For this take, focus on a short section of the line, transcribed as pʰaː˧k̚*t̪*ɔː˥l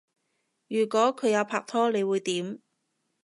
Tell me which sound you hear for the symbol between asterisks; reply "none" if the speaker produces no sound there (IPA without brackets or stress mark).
t̪ʰ